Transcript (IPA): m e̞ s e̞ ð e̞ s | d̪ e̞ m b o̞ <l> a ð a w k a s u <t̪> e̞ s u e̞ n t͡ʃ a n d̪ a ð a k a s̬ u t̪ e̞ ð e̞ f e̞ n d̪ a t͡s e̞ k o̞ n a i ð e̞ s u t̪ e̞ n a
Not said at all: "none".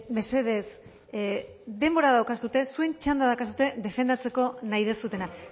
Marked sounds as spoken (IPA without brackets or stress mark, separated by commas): ɾ, t̪